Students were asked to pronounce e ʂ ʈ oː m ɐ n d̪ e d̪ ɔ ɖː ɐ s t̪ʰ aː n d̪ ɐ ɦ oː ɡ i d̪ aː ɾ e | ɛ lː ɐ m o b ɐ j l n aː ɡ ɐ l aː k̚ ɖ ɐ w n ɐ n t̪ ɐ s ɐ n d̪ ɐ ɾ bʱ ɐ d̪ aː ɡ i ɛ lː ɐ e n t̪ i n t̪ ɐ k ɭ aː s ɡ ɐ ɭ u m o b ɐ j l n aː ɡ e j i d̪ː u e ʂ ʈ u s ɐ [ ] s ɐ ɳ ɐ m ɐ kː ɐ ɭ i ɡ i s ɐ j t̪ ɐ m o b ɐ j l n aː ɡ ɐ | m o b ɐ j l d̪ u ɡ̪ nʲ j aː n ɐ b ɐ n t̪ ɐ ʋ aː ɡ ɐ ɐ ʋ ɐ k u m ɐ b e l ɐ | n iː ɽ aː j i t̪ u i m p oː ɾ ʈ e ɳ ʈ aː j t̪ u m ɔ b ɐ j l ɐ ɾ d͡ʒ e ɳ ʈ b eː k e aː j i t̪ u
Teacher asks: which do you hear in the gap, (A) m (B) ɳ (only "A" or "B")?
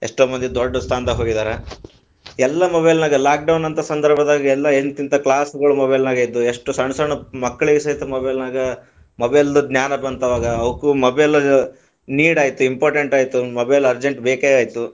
B